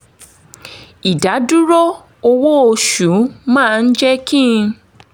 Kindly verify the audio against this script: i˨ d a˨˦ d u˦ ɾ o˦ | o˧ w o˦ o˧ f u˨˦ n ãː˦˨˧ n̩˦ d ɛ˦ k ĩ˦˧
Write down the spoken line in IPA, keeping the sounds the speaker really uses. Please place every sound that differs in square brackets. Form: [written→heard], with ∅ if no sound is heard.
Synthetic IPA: i˨ d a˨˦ d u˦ ɾ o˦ | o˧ w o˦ o˧ [f→ʃ] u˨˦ [n→m] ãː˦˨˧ n̩˦ [d→d͡ʒ] ɛ˦ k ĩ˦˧